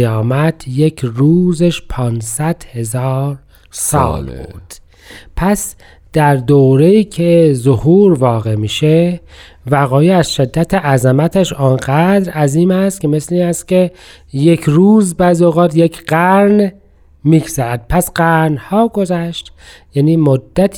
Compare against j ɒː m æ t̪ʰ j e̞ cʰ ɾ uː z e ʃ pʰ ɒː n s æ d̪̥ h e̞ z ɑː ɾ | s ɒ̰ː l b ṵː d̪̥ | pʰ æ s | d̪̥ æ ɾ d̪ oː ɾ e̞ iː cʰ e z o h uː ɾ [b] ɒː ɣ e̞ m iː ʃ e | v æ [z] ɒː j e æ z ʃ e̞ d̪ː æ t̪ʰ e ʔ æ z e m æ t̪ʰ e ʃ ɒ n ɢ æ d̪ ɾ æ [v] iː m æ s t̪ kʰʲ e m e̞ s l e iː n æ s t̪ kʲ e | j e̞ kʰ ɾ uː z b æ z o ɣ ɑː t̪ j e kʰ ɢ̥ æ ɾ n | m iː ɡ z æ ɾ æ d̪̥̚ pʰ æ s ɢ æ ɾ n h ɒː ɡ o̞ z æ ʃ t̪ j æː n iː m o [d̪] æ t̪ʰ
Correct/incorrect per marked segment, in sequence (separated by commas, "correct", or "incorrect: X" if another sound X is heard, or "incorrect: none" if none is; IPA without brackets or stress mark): incorrect: v, incorrect: ɣ, incorrect: z, incorrect: d̪ː